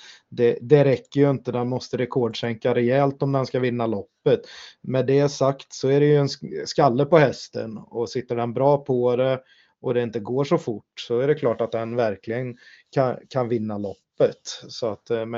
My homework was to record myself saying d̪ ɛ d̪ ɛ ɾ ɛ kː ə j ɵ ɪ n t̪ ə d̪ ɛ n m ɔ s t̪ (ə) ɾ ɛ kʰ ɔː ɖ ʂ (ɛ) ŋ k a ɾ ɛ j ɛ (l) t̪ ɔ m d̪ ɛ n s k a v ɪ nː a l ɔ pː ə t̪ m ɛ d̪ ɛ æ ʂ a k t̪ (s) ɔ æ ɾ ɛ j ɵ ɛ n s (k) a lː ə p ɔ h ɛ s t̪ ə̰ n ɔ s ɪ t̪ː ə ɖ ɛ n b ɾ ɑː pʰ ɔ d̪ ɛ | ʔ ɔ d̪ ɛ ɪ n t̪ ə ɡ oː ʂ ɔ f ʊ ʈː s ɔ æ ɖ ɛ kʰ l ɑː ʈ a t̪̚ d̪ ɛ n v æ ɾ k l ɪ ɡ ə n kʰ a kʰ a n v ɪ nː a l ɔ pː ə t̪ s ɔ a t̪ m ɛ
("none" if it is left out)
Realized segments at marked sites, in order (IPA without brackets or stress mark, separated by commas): ə, ɛ, l, s, k